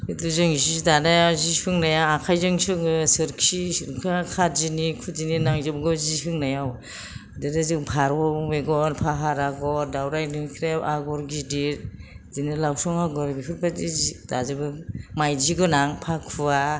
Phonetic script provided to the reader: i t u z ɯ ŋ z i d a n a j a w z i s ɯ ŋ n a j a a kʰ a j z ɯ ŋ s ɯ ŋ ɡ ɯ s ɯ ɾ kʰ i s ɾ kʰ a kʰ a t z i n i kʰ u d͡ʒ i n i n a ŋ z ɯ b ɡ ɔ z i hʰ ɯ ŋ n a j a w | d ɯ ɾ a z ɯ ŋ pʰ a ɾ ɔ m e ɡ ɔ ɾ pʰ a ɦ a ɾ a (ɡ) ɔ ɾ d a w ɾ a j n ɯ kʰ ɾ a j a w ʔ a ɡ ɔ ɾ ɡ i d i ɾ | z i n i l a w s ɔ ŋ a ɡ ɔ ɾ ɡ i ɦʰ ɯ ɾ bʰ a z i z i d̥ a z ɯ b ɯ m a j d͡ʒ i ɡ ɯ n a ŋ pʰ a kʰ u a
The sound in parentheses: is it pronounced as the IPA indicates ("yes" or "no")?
yes